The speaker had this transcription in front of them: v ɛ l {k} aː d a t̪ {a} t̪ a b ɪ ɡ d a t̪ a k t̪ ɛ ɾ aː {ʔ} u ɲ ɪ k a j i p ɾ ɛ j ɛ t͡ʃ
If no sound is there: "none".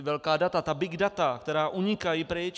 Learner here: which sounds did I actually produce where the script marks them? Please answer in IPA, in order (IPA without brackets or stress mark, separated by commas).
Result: k, a, ʔ